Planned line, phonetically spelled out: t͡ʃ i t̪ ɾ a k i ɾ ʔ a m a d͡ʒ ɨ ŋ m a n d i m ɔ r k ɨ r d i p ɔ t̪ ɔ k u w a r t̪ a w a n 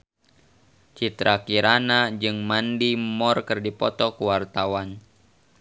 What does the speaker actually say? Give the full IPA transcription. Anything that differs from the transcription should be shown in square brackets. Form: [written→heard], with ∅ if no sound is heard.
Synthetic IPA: t͡ʃ i t̪ ɾ a k i ɾ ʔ a [m→n] a d͡ʒ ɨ ŋ m a n d i m ɔ r k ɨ r d i p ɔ t̪ ɔ k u w a r t̪ a w a n